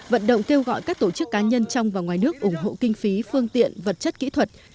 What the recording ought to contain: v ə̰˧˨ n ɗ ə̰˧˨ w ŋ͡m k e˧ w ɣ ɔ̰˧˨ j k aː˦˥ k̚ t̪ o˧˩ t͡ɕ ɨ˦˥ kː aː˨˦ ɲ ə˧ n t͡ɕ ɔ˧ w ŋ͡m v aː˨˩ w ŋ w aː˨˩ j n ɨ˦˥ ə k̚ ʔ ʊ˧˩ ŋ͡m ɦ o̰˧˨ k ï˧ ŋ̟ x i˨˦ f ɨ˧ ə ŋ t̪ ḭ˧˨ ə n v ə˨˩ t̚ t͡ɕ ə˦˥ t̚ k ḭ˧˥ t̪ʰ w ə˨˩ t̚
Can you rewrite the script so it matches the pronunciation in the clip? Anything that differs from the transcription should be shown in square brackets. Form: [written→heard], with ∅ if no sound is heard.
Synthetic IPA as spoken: v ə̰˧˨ n ɗ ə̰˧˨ w ŋ͡m k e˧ w ɣ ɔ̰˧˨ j k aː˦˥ k̚ t̪ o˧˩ t͡ɕ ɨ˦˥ kː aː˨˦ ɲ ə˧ n t͡ɕ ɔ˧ w ŋ͡m v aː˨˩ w ŋ w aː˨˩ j n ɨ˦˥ ə k̚ ʔ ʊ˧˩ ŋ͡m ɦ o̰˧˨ k ï˧ ŋ̟ [x→f] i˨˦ f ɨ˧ ə ŋ t̪ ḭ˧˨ ə n v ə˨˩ t̚ t͡ɕ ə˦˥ t̚ k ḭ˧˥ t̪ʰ w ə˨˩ t̚